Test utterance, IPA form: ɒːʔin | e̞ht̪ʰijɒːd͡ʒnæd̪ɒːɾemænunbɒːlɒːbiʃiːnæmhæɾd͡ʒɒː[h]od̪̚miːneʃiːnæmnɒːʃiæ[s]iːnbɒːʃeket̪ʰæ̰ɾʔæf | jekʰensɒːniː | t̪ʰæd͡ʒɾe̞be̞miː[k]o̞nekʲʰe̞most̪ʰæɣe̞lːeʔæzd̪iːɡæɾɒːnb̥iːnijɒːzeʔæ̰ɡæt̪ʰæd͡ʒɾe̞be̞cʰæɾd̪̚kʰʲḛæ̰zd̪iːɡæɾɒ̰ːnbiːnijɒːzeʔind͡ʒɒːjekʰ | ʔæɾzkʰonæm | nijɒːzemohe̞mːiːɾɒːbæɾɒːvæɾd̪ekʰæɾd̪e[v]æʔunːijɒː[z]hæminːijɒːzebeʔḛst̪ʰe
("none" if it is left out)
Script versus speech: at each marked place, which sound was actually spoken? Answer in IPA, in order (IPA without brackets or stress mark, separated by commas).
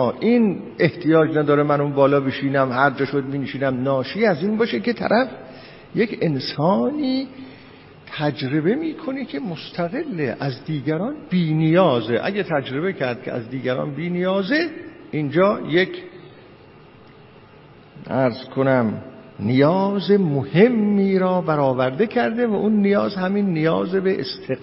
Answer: ʃ, z, kʰ, v, z